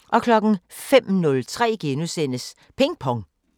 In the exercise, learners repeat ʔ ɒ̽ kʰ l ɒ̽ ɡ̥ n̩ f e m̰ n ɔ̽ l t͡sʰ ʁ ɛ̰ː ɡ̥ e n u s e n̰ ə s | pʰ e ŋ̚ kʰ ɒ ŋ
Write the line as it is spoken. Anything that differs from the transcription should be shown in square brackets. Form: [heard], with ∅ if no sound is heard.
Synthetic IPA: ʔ ɒ̽ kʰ l ɒ̽ ɡ̥ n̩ f e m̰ n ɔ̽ l t͡sʰ ʁ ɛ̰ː ɡ̥ e n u s e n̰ ə s | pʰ e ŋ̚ [pʰ] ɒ ŋ